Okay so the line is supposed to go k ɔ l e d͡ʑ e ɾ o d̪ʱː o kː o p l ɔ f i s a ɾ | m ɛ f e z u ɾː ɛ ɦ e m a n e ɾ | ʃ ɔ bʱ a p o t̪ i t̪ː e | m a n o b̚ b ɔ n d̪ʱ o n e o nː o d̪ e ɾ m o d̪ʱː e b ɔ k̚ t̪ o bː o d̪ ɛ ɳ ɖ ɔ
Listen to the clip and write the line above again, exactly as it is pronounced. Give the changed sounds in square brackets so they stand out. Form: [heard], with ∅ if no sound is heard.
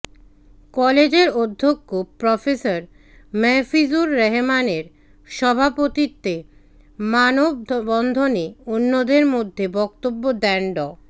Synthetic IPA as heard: k ɔ l e d͡ʑ e ɾ o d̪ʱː o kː o p [ɾ] ɔ f [e] s a ɾ | m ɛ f [i] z u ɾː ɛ ɦ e m a n e ɾ | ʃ ɔ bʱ a p o t̪ i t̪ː e | m a n o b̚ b ɔ n d̪ʱ o n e o nː o d̪ e ɾ m o d̪ʱː e b ɔ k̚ t̪ o bː o d̪ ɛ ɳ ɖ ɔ

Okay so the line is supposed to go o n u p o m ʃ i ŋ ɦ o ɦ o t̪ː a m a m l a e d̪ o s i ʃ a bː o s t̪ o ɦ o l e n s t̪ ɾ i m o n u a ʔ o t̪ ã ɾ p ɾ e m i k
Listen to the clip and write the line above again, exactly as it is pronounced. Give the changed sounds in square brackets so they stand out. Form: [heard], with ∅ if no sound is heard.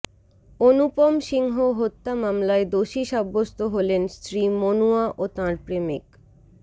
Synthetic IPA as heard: o n u p o m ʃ i ŋ ɦ o ɦ o t̪ː a m a m l a e d̪ o [ʃ] i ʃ a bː o s t̪ o ɦ o l e n s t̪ ɾ i m o n u a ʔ o t̪ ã ɾ p ɾ e m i k

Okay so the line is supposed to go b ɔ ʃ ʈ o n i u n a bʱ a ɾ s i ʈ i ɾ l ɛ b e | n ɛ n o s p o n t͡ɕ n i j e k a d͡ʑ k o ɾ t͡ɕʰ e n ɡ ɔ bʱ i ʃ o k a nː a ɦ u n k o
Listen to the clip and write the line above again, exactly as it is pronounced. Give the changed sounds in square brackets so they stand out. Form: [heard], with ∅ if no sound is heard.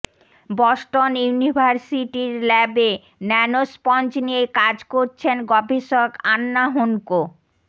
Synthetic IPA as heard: b ɔ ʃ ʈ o n [j] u n [i] bʱ a ɾ s i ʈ i ɾ l ɛ b e | n ɛ n o s p [ɔ] n t͡ɕ n i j e k a d͡ʑ k o ɾ t͡ɕʰ e n ɡ ɔ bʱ i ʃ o k a nː a ɦ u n k o

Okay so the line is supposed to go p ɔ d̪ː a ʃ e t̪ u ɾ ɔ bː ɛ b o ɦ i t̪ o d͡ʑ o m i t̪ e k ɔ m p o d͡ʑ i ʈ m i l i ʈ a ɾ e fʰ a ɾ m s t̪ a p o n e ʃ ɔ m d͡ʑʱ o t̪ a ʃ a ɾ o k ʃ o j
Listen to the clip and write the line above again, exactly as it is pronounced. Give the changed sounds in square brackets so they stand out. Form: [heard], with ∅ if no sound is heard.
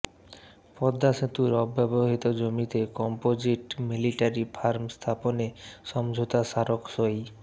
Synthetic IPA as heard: p ɔ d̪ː a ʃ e t̪ u ɾ ɔ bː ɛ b o ɦ i t̪ o d͡ʑ o m i t̪ e k ɔ m p o d͡ʑ i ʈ m i l i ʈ a ɾ [i] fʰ a ɾ m s [t̪ʰ] a p o n e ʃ ɔ m d͡ʑʱ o t̪ a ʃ a ɾ o k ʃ o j

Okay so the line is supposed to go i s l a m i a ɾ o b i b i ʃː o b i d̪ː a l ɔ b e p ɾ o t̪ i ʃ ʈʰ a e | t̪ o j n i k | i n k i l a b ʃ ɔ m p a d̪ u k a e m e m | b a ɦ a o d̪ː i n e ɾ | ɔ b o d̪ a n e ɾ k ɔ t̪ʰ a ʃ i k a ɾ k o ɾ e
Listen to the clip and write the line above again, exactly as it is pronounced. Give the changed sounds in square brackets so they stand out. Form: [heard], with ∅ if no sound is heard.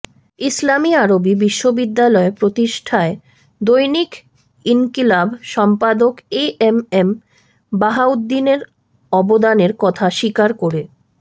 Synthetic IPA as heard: i s l a m i a ɾ o b i b i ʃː o b i d̪ː a l ɔ [∅] e p ɾ o t̪ i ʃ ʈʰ a e | [d̪] o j n i k | i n k i l a b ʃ ɔ m p a d̪ [o] k [e] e m e m | b a ɦ a [u] d̪ː i n e ɾ | ɔ b o d̪ a n e ɾ k ɔ t̪ʰ a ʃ i k a ɾ k o ɾ e

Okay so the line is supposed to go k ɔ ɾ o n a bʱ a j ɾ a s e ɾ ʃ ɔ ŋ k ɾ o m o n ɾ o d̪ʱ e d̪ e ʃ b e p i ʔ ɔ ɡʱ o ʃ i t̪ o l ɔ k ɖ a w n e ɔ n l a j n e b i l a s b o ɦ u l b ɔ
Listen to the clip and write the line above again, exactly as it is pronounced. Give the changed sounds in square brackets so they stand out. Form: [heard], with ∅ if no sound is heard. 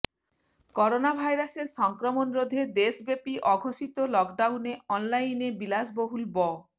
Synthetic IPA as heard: k ɔ ɾ o n a bʱ a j ɾ a s e ɾ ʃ ɔ ŋ k ɾ o m o n ɾ o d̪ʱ e d̪ e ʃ b e p i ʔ ɔ ɡʱ o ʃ i t̪ o l ɔ k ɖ a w n e ɔ n l a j n e b i l a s b o ɦ u l b ɔ

